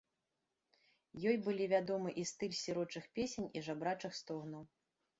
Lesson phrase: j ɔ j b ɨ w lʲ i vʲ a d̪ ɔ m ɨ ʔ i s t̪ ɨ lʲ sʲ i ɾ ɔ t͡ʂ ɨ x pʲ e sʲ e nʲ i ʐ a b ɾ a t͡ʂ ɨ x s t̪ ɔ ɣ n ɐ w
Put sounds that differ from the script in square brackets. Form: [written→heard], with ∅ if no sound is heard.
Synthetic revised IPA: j ɔ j b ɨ [w→∅] lʲ i vʲ a d̪ ɔ m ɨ ʔ i s t̪ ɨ lʲ sʲ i ɾ ɔ t͡ʂ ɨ x pʲ e sʲ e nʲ i ʐ a b ɾ a t͡ʂ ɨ x s t̪ ɔ ɣ n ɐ w